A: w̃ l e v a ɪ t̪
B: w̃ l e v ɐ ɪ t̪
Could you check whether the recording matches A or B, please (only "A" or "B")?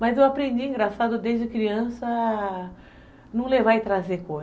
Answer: A